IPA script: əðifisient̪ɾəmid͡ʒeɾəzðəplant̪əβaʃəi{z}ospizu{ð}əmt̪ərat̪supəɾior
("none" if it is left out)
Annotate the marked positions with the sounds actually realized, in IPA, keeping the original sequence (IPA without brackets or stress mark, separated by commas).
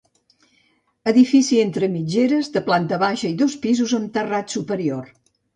ð, z